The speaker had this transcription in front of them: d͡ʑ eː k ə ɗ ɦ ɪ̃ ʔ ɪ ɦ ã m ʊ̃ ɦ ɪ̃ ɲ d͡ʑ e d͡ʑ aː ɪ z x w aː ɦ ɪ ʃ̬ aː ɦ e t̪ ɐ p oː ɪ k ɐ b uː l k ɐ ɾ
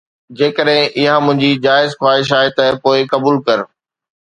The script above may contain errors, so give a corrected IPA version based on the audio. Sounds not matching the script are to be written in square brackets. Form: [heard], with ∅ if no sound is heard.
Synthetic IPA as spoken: d͡ʑ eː k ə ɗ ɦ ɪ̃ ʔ ɪ ɦ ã m ʊ̃ ɦ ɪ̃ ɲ d͡ʑ [i] d͡ʑ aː ɪ z x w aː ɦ ɪ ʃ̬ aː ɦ e t̪ ɐ p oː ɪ k ɐ b uː l k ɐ ɾ